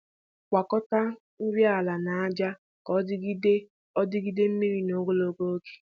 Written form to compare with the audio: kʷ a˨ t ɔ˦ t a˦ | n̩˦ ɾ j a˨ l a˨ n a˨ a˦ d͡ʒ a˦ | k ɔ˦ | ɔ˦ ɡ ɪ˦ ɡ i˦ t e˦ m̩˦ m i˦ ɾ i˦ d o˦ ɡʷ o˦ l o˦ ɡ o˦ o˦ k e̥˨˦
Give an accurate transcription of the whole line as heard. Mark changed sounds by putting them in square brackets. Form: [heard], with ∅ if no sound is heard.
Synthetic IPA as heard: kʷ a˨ [k] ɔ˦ t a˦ | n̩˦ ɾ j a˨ l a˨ n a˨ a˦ d͡ʒ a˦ | k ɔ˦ | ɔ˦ [d] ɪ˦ ɡ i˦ [d] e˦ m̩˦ m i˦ ɾ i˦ [n] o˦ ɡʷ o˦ l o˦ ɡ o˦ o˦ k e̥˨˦